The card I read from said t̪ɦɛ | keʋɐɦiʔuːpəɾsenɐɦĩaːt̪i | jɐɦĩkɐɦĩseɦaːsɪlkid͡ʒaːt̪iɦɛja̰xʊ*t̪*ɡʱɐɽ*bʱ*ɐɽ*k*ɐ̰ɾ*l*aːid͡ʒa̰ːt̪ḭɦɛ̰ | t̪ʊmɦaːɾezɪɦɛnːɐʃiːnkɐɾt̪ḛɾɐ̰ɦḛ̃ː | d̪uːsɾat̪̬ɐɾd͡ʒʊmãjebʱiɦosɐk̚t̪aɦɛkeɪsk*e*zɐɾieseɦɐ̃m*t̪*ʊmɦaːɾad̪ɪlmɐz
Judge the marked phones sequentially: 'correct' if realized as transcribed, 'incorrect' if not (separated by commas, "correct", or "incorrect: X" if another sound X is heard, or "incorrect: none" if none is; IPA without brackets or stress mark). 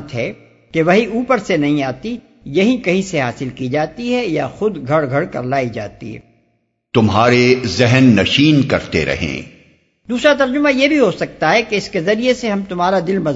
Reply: incorrect: d̪, incorrect: ɡʱ, correct, correct, correct, correct